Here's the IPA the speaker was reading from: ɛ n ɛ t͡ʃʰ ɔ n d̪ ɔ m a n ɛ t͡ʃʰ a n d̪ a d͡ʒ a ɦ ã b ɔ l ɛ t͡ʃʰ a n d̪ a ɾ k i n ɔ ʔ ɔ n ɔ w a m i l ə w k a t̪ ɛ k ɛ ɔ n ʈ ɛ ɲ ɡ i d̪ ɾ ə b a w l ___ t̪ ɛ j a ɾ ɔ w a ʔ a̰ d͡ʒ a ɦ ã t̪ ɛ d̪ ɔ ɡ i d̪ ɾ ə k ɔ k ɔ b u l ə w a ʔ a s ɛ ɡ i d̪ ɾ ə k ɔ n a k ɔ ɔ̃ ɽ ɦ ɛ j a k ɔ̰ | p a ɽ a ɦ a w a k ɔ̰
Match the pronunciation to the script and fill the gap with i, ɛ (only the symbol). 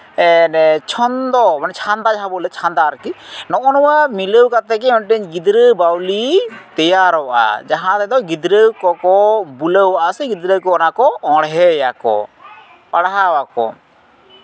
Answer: i